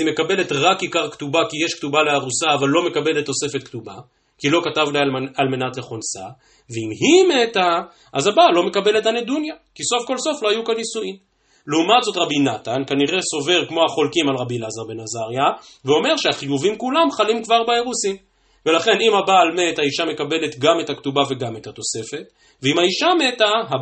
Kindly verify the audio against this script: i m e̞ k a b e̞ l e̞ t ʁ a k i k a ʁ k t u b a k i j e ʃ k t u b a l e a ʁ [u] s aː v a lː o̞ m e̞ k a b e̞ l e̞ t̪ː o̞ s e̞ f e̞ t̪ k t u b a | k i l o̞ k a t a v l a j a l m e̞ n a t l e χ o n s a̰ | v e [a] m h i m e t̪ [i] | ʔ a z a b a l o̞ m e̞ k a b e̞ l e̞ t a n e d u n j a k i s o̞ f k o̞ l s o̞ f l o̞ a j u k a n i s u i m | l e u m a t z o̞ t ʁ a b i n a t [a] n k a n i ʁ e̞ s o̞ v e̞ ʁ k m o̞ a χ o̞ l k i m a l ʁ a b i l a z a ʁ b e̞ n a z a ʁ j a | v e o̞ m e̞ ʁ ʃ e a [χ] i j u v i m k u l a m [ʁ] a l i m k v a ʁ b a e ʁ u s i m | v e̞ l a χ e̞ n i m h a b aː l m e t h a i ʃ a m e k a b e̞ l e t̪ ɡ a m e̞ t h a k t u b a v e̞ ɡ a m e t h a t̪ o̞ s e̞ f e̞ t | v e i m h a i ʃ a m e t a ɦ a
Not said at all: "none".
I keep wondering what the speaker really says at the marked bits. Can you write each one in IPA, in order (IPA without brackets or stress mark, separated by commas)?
u, i, a, a, χ, χ